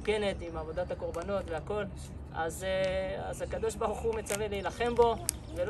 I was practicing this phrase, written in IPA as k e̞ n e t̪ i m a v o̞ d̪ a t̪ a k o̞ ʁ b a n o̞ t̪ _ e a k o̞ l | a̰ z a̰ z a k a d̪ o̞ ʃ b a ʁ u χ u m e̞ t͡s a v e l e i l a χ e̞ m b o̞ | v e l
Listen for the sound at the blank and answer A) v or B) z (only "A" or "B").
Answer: A